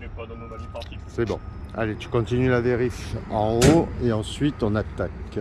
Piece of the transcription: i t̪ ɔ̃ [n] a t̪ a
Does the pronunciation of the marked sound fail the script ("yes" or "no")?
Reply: no